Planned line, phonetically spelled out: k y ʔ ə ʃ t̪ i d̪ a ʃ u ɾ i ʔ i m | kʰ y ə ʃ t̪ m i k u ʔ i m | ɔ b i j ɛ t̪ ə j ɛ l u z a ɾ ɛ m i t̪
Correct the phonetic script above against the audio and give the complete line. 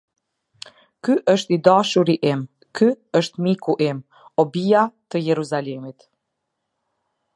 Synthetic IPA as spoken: k y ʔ ə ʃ t̪ i d̪ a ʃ u ɾ i ʔ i m | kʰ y ə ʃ t̪ m i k u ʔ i m | ɔ b i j a t̪ ə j ɛ ɾ u z a l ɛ m i t̪